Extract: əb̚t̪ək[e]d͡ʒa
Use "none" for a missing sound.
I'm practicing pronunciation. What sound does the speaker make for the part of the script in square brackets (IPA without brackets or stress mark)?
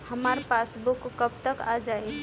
a